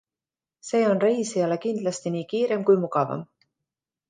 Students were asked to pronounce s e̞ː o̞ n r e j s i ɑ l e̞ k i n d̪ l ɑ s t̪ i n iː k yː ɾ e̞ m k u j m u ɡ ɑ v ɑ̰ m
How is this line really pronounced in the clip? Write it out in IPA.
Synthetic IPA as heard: s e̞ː o̞ n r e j s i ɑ l e̞ k i n d̪ l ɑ s t̪ i n iː k iː ɾ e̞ m k u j m u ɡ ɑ v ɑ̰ m